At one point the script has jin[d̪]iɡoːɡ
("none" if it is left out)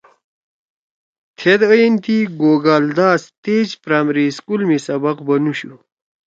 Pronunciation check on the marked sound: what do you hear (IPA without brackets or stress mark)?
t̪